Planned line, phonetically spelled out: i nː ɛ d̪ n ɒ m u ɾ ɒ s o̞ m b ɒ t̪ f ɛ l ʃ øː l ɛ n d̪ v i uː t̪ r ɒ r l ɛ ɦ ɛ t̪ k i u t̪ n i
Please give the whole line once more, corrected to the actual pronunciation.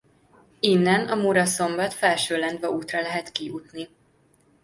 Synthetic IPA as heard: i nː ɛ n ɒ m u ɾ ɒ s o̞ m b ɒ t̪ f ɛ l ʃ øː l ɛ n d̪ v ɛ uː t̪ r ɒ l ɛ ɦ ɛ t̪ k i u t̪ n i